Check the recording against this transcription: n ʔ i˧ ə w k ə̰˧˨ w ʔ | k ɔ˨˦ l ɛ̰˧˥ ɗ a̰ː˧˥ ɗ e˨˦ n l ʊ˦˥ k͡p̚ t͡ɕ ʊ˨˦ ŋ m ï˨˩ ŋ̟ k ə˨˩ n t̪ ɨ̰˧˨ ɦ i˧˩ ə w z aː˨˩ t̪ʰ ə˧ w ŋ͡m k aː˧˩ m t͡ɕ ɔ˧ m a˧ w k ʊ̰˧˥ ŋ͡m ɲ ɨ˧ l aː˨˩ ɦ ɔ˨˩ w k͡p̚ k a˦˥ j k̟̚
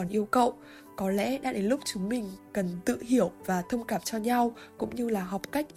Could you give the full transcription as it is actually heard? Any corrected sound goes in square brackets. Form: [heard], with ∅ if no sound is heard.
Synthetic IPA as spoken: n ʔ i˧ ə w k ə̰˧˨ w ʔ | k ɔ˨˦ l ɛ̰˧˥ ɗ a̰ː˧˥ ɗ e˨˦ n l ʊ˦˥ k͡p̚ t͡ɕ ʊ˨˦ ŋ m ï˨˩ ŋ̟ k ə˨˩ n t̪ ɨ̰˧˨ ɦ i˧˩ ə w [v] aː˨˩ t̪ʰ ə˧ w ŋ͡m k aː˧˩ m t͡ɕ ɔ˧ [ɲ] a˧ w k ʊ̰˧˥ ŋ͡m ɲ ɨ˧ l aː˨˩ ɦ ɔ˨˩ w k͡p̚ k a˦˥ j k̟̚